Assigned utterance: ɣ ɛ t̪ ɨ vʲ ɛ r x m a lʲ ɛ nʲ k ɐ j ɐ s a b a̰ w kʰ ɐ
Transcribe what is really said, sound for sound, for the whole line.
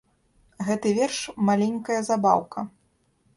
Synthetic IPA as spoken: ɣ ɛ t̪ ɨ vʲ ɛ r ʂ m a lʲ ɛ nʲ k ɐ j ɐ z a b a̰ w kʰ ɐ